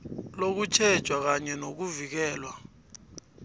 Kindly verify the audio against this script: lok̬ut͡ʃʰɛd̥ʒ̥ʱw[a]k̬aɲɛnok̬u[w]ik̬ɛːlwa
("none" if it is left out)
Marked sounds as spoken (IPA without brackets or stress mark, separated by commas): a, v